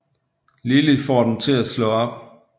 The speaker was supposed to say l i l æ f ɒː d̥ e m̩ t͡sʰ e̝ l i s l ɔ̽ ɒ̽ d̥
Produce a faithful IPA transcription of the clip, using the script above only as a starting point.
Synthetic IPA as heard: l i l i f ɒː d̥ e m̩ t͡sʰ e̝ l æ s l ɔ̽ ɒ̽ b̥